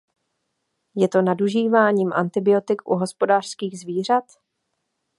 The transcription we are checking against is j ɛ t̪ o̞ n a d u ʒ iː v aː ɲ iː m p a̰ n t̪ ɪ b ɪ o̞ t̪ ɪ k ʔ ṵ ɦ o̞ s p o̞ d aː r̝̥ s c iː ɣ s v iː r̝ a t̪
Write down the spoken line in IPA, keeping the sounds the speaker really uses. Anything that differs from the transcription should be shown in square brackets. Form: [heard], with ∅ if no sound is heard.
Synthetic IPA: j ɛ t̪ o̞ n a d u ʒ iː v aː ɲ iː m [ʔ] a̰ n t̪ ɪ b ɪ o̞ t̪ ɪ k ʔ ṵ ɦ o̞ s p o̞ d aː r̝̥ s [k] iː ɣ [z] v iː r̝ a t̪